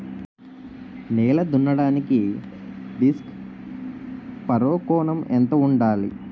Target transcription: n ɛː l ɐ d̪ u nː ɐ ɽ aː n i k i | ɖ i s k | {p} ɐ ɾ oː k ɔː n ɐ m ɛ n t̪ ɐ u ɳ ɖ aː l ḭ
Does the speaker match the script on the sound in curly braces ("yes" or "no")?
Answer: yes